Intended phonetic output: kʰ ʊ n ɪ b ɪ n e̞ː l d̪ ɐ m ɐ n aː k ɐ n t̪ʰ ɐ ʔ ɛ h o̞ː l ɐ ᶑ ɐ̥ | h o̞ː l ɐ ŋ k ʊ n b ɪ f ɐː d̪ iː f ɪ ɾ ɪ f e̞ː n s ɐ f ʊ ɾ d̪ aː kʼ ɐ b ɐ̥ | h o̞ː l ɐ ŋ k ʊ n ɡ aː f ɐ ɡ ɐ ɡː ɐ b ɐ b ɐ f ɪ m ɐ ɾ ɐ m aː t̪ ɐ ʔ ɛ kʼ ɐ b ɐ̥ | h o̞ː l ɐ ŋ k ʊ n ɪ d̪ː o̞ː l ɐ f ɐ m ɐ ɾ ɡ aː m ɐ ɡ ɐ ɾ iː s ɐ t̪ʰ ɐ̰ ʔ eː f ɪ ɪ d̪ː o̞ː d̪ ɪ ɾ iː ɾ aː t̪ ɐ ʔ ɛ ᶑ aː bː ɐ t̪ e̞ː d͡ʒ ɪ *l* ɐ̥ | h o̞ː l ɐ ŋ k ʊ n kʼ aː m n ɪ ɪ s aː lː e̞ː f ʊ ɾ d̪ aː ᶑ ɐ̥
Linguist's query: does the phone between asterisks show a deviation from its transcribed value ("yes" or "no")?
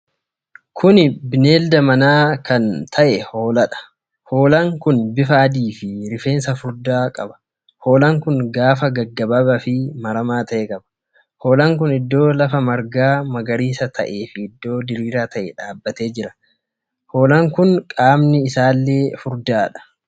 yes